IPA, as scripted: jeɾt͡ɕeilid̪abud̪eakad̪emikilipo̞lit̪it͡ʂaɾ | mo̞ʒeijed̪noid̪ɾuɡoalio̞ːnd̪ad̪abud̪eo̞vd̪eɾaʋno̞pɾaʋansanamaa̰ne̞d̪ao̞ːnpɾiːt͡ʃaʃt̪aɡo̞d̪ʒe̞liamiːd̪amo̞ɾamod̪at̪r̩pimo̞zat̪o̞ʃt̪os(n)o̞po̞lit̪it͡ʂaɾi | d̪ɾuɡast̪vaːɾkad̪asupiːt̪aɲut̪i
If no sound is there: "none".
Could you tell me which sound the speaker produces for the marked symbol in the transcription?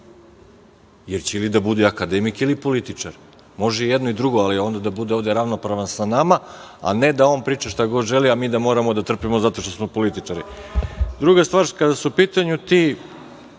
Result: m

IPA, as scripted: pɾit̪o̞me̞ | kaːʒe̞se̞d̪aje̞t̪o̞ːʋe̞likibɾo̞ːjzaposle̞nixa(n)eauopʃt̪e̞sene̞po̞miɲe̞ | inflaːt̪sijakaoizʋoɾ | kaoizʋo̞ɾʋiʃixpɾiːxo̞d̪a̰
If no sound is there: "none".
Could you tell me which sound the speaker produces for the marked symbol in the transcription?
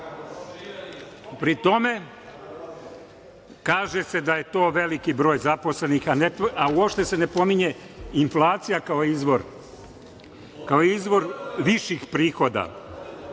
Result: n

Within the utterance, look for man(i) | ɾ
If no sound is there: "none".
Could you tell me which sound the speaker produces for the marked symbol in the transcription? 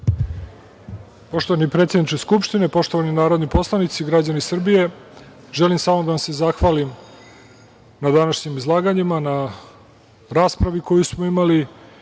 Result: a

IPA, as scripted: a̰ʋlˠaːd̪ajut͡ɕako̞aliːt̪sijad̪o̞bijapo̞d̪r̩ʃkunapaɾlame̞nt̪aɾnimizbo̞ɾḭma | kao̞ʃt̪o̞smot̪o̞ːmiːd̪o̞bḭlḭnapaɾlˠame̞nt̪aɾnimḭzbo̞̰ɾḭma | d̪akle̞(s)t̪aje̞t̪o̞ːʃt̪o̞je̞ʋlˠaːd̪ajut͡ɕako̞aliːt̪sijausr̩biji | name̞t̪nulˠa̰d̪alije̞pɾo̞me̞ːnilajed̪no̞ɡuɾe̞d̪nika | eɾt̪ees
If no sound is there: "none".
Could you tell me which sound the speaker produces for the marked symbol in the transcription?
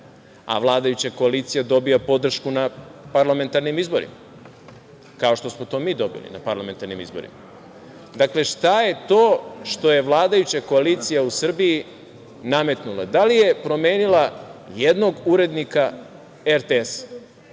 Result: ʃ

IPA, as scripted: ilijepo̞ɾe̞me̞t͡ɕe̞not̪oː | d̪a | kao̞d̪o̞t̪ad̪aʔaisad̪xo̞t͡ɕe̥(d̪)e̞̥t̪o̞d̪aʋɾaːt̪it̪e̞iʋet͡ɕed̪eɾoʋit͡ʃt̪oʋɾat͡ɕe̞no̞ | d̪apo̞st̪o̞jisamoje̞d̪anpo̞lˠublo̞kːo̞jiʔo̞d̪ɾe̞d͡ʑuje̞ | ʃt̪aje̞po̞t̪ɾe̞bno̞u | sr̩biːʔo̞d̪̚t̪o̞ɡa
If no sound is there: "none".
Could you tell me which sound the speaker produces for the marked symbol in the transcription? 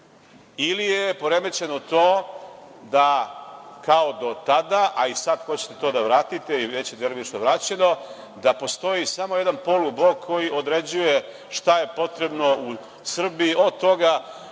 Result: t̪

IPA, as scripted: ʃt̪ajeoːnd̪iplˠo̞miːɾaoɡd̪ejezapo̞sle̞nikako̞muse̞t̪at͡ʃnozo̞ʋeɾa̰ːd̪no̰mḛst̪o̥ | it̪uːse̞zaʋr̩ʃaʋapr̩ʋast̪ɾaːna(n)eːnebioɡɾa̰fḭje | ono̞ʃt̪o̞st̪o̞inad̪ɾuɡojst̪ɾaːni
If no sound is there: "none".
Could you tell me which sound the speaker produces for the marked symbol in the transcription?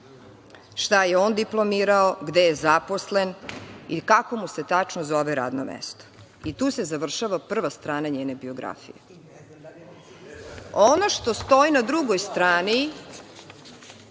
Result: ɲ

